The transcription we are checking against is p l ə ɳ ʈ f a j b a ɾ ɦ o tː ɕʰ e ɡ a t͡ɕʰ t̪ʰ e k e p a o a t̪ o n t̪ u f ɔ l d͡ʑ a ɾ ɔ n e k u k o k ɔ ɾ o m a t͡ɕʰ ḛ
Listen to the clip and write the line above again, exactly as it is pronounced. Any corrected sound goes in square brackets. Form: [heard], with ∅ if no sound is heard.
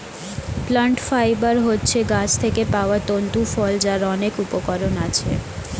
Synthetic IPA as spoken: p l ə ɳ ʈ f a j b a ɾ ɦ o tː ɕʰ e ɡ a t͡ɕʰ t̪ʰ e k e p a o a t̪ o n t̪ u f ɔ l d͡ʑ a ɾ ɔ n e k u [p] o k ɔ ɾ o [n] a t͡ɕʰ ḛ